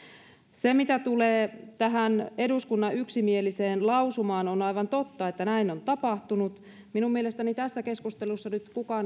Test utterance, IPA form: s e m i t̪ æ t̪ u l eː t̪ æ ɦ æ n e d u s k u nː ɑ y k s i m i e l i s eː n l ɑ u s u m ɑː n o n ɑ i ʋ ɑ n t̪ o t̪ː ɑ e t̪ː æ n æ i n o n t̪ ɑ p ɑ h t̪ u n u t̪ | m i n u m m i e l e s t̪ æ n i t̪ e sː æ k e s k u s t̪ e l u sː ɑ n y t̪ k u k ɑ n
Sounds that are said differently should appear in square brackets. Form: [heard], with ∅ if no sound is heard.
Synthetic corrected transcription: s e m i t̪ æ t̪ u l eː t̪ æ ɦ æ n e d u s k u nː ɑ y k s i m i e l i s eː n l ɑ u s u m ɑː n o n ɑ i ʋ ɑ n t̪ o t̪ː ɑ e t̪ː æ n æ i n o n t̪ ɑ p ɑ h t̪ u n u t̪ | m i n u m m i e l e s t̪ æ n i t̪ [æ] sː æ k e s k u s t̪ e l u sː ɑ n y t̪ k u k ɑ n